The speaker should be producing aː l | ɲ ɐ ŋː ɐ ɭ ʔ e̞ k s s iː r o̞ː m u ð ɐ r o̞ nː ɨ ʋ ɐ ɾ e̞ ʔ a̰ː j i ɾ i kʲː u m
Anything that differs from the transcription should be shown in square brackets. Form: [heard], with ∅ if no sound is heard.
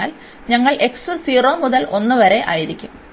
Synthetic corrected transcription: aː l | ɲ ɐ ŋː ɐ ɭ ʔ e̞ k s s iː r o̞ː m u ð ɐ [l] o̞ nː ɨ ʋ ɐ ɾ e̞ ʔ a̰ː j i ɾ i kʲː u m